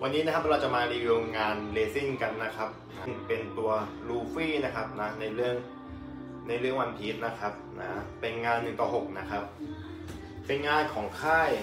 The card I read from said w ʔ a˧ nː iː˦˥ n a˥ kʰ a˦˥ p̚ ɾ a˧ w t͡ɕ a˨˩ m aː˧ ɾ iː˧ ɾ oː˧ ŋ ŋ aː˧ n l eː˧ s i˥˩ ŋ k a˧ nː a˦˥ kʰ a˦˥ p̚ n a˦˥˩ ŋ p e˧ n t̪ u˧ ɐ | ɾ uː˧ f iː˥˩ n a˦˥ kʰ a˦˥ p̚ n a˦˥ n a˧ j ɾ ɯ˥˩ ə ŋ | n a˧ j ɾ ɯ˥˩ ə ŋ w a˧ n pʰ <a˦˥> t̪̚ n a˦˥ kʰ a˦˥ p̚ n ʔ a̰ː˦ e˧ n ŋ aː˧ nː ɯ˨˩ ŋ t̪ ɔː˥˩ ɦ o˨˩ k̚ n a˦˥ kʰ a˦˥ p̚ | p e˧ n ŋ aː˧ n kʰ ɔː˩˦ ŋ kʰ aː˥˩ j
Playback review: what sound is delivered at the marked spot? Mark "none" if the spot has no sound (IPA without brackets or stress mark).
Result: i˦˥